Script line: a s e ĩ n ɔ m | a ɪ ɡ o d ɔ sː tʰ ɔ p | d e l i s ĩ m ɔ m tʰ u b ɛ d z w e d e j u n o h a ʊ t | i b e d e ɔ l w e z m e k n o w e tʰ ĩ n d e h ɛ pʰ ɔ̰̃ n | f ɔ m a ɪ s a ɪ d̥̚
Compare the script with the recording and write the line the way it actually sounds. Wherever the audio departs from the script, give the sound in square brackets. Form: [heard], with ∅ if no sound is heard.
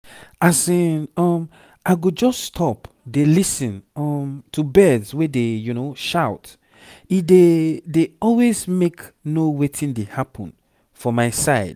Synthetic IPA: a s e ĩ n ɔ m | a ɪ ɡ o [d͡ʒ] ɔ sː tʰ ɔ p | d e l i s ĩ [n] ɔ m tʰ u b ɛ d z w e d e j u n o [ʃ] a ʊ t | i [d] e d e ɔ l w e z m e k n o w e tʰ ĩ n d e h [a] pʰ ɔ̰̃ n | f ɔ m a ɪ s a ɪ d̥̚